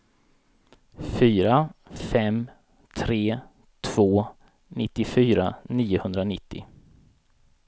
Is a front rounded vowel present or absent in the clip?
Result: present